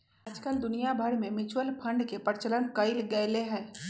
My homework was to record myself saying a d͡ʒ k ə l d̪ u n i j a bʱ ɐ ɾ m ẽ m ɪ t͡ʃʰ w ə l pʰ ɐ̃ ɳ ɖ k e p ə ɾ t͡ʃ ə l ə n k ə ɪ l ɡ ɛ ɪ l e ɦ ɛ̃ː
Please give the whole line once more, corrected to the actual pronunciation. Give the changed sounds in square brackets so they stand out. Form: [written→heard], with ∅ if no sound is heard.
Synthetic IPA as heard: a d͡ʒ k ə l d̪ [u→ʊ] n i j a bʱ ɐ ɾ m ẽ m ɪ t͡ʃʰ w ə l pʰ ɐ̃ ɳ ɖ k e p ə ɾ t͡ʃ ə l ə n k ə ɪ l ɡ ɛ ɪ l e ɦ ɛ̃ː